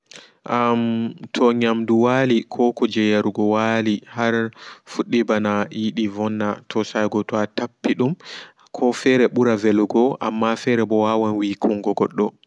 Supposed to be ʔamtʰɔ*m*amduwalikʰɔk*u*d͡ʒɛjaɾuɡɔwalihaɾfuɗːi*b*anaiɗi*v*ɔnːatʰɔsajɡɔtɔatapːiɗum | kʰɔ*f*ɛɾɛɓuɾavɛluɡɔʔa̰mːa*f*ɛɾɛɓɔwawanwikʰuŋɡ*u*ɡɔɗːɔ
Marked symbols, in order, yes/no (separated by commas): no, no, yes, yes, yes, yes, no